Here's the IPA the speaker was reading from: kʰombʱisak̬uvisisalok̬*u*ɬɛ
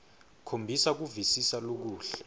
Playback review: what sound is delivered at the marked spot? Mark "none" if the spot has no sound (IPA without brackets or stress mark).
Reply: uː